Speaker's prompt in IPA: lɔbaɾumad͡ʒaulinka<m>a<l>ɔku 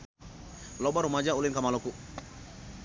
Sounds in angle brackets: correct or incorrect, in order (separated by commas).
correct, correct